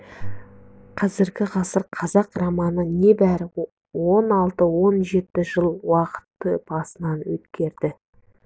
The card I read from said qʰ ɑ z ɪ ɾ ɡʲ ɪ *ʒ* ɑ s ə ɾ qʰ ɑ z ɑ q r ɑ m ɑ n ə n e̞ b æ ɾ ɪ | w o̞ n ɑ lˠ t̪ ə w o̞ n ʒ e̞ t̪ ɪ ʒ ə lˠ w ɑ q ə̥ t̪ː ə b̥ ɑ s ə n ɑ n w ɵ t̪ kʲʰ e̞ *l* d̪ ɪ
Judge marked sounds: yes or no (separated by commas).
no, no